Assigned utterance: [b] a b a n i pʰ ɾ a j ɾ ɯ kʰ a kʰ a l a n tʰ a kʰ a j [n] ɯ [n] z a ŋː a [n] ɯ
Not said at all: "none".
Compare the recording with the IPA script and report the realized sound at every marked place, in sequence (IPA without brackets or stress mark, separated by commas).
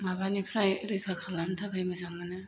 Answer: m, m, none, n